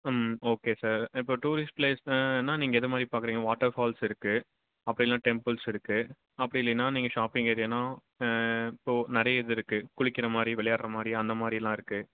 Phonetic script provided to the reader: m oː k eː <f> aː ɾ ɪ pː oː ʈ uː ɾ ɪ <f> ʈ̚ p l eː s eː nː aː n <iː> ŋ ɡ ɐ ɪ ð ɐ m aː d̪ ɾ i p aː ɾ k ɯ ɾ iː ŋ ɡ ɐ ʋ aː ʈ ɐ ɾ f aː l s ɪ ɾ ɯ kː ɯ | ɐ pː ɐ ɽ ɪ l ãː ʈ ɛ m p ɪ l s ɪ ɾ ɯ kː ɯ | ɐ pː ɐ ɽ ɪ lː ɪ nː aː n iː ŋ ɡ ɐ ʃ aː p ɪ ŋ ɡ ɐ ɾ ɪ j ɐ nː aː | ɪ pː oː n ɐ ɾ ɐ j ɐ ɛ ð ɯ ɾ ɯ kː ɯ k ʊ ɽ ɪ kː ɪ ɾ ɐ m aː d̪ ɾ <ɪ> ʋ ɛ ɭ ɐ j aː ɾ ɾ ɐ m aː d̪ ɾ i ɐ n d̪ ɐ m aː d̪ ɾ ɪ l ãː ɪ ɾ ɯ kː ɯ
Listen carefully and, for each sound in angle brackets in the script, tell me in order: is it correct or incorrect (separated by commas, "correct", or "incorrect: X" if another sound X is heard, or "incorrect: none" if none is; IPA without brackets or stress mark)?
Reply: incorrect: s, incorrect: s, correct, incorrect: i